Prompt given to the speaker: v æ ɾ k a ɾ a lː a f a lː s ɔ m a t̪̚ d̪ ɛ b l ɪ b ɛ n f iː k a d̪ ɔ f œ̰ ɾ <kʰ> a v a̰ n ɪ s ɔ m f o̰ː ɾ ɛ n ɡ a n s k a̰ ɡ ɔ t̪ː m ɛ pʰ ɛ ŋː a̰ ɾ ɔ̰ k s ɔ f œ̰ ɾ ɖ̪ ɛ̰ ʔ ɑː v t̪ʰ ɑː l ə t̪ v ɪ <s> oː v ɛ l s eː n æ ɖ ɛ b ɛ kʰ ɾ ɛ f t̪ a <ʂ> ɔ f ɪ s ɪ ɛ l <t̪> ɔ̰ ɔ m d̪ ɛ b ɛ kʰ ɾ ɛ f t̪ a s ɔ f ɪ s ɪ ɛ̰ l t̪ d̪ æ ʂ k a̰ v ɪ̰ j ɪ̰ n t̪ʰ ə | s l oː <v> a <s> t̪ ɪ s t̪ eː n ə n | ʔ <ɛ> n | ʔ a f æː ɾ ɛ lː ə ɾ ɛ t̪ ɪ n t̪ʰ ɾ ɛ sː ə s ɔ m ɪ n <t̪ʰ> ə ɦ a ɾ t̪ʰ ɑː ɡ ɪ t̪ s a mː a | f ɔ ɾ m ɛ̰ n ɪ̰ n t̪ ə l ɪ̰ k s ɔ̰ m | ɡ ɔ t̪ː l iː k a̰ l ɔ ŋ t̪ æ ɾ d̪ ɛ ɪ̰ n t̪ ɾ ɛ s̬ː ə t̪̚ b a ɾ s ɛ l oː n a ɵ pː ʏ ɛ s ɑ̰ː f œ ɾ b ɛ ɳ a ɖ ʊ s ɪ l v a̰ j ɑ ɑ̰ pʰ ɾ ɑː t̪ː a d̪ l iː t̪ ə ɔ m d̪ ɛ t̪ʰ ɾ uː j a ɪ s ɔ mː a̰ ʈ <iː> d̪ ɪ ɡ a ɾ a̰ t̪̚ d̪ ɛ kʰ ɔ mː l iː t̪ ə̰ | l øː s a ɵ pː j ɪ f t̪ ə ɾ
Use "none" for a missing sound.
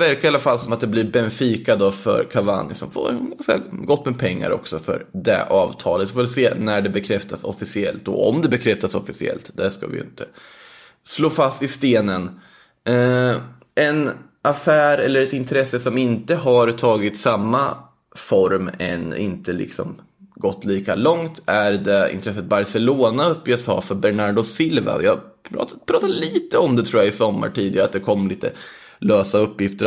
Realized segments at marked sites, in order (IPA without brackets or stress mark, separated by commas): kʰ, f, s, t̪, f, s, ɛ, t̪, iː